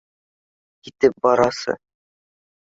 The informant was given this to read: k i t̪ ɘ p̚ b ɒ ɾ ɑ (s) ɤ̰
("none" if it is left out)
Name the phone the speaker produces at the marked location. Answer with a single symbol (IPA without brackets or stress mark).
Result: s